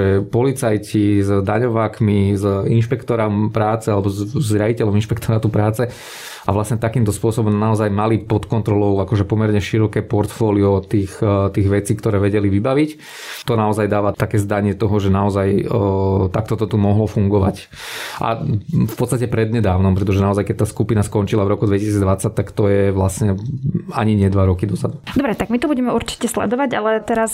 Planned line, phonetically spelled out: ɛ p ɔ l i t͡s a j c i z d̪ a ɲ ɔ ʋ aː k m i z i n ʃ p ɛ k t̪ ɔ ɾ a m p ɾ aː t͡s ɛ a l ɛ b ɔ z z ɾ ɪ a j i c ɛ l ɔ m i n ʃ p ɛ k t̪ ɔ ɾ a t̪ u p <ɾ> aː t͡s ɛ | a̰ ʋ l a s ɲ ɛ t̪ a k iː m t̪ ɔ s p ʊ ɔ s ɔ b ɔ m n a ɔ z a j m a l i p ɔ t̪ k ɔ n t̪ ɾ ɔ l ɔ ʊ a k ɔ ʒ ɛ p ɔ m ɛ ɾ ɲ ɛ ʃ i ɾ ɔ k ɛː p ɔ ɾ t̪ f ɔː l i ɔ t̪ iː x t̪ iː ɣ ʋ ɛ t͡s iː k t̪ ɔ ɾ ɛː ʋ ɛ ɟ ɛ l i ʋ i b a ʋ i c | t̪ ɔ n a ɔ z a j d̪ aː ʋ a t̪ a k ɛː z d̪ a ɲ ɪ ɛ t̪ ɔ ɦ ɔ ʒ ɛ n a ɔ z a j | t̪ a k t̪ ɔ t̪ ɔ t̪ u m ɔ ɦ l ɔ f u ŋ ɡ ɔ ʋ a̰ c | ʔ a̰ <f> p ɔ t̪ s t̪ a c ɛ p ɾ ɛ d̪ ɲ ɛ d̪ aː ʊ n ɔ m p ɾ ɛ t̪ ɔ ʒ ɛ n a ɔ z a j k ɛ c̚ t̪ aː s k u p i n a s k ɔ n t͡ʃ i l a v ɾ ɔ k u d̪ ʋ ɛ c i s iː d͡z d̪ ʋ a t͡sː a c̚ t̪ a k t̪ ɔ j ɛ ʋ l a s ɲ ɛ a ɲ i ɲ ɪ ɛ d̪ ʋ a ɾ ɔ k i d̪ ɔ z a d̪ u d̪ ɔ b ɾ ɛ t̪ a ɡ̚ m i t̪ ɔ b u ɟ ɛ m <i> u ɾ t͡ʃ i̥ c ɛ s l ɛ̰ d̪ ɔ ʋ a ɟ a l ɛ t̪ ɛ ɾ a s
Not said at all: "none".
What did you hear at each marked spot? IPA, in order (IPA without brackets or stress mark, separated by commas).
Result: ɾ, f, ɛ